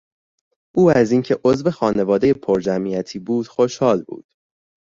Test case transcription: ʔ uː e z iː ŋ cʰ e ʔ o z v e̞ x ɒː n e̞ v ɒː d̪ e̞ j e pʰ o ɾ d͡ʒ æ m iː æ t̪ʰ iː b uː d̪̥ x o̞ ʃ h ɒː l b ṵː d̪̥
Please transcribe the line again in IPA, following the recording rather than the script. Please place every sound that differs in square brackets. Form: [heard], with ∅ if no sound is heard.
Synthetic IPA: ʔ uː [æ] z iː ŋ cʰ e ʔ o z v e̞ x ɒː n e̞ v ɒː d̪ e̞ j e pʰ o ɾ d͡ʒ æ m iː æ t̪ʰ iː b uː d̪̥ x o̞ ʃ h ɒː l b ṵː d̪̥